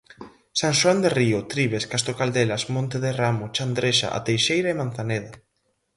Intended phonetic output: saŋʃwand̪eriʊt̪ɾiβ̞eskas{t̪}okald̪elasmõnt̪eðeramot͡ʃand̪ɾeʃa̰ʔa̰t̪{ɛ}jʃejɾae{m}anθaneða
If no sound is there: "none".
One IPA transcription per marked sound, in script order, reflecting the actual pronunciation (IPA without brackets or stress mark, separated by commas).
t̪, e, m